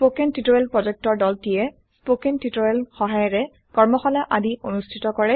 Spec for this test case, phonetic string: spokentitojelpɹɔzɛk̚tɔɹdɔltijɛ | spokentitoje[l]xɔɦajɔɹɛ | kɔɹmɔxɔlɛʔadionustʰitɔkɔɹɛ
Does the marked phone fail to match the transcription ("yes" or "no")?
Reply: no